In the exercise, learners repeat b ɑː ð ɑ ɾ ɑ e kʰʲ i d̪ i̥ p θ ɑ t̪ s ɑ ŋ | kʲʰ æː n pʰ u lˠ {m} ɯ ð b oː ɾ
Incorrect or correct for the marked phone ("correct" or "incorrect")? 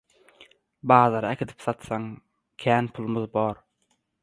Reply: correct